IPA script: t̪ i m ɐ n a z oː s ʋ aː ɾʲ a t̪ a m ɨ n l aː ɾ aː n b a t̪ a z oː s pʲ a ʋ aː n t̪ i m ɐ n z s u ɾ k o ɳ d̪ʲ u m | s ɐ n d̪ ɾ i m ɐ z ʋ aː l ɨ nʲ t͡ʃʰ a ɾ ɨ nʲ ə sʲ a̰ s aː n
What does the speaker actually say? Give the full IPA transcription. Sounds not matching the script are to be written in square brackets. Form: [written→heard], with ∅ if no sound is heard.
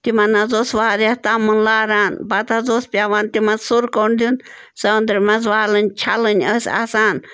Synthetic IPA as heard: t̪ i m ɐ n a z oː s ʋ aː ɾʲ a t̪ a m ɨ n l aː ɾ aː n b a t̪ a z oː s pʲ a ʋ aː n t̪ i m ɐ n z s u ɾ k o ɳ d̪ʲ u [m→n] | s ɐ n d̪ ɾ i m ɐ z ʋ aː l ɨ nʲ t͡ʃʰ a [ɾ→l] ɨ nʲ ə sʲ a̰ s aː n